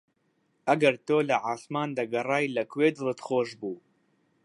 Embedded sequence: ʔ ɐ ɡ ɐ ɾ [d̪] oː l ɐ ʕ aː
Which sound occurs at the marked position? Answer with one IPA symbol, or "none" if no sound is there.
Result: t̪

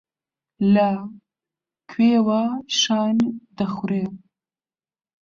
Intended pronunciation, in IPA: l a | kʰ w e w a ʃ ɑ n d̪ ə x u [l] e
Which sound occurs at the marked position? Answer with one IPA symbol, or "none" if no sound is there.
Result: ɾ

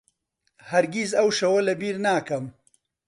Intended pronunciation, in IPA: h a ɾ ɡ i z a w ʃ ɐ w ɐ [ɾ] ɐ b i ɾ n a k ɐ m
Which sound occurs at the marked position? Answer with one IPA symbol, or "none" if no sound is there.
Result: l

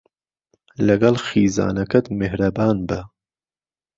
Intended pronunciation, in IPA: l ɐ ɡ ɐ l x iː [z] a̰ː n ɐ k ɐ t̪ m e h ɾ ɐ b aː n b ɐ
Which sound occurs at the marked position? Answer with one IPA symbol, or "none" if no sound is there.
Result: z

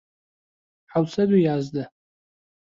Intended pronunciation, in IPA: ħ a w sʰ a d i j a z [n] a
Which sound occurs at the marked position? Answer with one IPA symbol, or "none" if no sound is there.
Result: d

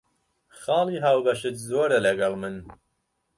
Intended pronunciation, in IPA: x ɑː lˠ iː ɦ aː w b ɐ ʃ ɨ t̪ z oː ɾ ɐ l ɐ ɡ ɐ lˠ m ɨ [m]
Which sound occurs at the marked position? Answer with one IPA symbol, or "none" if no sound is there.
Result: n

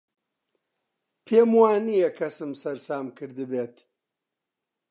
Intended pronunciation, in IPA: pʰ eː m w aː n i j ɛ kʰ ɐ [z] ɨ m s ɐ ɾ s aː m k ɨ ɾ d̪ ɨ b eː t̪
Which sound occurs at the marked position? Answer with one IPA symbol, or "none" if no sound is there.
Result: s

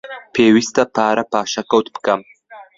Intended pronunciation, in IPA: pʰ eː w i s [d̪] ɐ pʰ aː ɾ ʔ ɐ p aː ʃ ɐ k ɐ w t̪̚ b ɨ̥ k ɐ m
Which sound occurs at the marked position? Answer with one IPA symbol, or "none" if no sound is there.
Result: t̪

